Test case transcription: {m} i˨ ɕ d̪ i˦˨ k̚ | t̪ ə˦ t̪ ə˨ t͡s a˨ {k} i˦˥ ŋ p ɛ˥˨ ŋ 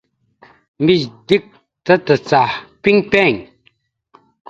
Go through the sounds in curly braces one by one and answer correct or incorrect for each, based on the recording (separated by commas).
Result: correct, incorrect